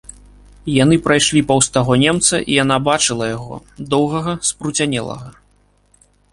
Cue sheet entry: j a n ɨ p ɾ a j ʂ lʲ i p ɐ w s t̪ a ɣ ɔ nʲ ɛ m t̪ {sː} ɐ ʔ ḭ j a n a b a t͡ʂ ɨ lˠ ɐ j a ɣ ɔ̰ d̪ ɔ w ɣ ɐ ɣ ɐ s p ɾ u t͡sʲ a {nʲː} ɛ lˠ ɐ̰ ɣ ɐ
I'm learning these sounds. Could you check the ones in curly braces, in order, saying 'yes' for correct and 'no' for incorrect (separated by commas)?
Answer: no, no